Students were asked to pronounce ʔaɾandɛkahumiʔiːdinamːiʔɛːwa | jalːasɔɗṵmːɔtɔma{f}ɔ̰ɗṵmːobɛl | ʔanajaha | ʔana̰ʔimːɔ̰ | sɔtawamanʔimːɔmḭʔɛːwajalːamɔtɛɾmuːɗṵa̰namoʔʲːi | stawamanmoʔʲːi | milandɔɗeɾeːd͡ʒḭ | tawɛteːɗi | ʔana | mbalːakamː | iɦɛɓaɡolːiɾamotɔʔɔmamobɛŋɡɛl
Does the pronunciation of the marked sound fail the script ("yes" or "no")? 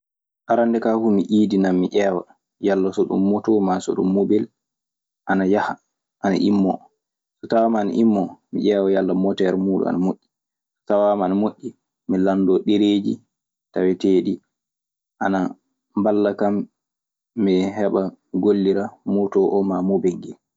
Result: yes